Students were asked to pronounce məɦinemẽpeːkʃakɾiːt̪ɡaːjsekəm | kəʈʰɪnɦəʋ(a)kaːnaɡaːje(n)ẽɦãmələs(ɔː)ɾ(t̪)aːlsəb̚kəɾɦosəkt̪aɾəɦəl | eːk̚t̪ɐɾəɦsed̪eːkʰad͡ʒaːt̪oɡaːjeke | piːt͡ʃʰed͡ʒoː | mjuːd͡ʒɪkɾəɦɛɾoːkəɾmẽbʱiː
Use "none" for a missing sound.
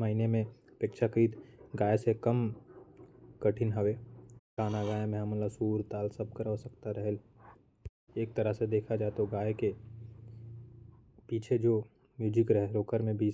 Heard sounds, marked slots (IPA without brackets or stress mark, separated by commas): e, m, uː, t̪